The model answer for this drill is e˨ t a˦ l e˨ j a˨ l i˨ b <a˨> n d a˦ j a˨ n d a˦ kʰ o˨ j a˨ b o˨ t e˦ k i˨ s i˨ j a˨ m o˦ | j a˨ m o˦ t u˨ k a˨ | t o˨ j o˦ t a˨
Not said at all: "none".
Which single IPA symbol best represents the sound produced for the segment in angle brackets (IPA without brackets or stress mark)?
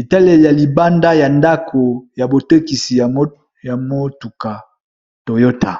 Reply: a˦